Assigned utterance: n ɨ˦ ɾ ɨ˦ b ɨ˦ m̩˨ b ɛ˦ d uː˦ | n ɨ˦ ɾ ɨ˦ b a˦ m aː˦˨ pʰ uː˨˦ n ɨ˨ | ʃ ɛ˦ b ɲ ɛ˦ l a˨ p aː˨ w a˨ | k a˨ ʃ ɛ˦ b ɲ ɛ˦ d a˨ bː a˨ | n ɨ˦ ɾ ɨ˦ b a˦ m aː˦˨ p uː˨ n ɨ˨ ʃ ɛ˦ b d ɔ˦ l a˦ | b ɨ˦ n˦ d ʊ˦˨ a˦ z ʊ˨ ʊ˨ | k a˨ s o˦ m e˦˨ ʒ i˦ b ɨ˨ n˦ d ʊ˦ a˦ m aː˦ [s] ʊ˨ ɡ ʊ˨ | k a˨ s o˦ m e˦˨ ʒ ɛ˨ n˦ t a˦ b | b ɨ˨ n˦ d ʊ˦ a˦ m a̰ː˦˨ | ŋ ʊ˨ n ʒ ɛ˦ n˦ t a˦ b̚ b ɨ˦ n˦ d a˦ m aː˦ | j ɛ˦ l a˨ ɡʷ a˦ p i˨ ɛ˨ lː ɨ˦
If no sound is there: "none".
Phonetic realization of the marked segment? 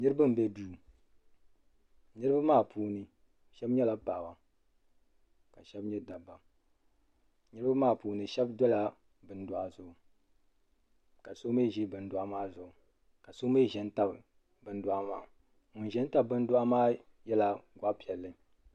z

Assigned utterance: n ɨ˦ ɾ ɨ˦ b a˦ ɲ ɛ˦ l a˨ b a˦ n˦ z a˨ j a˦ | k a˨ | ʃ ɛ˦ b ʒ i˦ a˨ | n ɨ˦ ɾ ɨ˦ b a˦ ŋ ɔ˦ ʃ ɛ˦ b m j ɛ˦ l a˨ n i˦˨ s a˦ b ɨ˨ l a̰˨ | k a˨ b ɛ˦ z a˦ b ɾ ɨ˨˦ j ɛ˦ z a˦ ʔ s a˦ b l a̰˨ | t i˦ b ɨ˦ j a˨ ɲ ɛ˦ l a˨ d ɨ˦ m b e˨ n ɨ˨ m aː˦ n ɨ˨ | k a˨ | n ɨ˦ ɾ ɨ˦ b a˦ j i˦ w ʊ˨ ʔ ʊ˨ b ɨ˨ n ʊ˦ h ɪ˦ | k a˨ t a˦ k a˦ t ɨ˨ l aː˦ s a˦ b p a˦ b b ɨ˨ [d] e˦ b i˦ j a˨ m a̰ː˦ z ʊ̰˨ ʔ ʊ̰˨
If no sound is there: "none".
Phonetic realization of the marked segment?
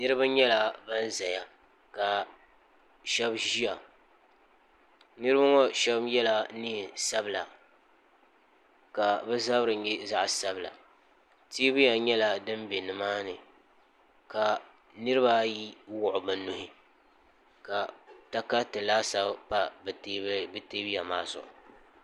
t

